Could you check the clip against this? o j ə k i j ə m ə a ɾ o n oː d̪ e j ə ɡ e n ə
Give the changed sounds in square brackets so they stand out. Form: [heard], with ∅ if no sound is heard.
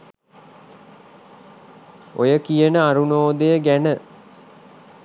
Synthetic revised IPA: o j ə k i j ə [n] ə a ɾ [u] n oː d̪ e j ə ɡ [æ] n ə